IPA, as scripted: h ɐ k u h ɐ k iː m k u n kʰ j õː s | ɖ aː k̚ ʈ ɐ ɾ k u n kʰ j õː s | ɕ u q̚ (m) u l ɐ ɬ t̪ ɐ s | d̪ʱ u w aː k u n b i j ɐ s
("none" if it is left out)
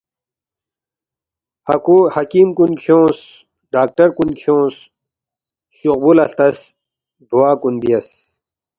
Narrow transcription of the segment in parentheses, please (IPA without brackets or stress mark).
b